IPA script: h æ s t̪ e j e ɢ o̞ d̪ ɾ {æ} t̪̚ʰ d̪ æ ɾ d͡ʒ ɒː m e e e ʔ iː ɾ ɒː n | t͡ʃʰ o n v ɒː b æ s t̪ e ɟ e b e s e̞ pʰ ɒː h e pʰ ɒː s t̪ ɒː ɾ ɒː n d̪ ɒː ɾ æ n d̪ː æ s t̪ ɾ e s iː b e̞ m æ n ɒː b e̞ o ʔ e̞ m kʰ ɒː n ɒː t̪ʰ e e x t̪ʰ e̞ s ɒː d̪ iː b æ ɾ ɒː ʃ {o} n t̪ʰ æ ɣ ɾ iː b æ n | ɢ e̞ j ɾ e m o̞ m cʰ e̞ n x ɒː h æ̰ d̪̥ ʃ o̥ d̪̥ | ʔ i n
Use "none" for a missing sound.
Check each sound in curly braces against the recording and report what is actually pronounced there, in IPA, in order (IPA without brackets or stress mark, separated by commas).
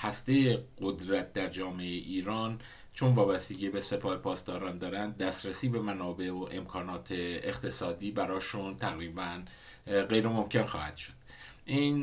æ, u